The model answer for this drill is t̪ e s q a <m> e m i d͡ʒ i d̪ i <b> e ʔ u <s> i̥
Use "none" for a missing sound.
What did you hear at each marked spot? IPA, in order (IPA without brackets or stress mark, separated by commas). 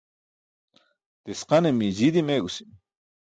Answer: n, m, s